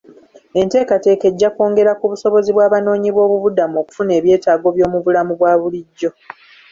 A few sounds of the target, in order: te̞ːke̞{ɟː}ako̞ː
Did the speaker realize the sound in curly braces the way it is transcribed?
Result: yes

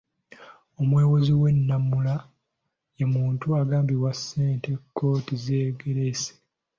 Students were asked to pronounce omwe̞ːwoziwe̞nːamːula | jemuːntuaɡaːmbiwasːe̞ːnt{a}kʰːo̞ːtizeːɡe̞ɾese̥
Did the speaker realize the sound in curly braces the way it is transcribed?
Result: no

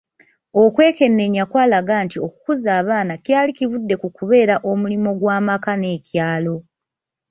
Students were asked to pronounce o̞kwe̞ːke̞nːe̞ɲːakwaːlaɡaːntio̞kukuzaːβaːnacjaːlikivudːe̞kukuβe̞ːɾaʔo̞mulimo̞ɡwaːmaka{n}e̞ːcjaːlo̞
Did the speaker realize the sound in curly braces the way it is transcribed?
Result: yes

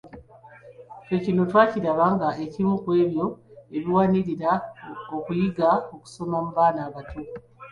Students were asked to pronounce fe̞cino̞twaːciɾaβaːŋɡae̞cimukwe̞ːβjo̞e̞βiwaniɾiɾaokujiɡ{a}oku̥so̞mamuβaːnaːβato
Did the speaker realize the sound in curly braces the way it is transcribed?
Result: yes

